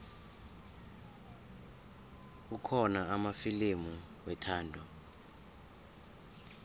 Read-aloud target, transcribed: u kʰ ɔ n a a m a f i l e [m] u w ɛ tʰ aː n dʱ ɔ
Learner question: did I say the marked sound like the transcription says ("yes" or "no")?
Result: yes